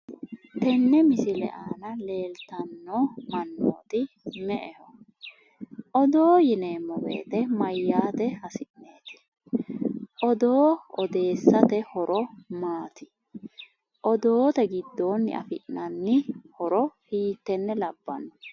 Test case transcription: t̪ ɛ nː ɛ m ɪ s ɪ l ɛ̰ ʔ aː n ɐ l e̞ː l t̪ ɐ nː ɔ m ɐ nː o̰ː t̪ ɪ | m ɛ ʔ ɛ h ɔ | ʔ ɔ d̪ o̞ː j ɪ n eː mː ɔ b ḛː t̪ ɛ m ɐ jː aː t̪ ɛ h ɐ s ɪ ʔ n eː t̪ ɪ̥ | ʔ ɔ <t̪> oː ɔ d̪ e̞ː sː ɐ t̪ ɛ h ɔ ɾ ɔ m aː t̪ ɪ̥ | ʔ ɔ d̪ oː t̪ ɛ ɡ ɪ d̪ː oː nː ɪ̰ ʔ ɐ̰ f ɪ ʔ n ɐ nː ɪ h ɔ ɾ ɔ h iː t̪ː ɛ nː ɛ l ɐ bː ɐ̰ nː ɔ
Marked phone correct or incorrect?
incorrect